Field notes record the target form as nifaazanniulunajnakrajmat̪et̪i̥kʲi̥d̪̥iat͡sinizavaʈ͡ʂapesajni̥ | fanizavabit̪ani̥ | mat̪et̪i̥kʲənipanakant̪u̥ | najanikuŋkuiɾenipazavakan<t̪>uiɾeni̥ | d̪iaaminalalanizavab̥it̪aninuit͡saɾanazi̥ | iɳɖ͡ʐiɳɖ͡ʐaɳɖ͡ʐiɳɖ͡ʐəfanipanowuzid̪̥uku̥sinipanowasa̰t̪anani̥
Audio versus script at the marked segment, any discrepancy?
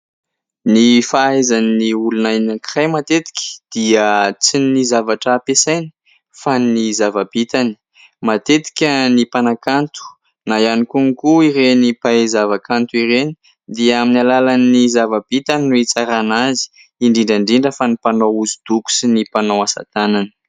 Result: no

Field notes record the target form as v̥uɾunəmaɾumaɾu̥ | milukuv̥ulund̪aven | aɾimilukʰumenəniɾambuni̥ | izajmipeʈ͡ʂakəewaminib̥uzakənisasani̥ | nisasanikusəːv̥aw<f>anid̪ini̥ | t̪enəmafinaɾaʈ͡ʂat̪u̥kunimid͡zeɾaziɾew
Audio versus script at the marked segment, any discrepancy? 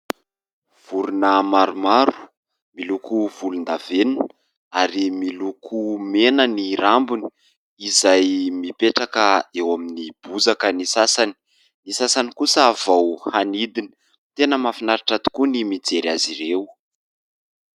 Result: yes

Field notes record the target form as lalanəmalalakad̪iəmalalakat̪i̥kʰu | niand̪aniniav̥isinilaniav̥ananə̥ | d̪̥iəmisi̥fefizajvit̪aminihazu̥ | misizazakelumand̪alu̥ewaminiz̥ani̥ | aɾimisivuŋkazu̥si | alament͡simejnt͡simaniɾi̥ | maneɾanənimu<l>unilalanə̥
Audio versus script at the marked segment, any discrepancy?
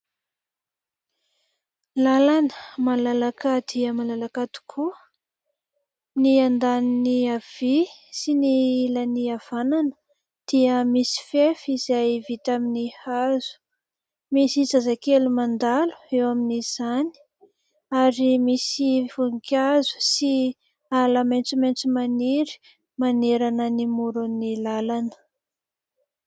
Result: yes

